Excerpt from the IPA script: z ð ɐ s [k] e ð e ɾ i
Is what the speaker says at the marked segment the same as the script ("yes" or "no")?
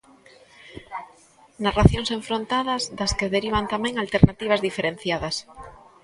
yes